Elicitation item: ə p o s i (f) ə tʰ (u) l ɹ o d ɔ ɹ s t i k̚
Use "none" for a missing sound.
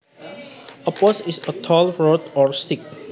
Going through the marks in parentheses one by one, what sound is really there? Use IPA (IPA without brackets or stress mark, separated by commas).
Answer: s, ɔ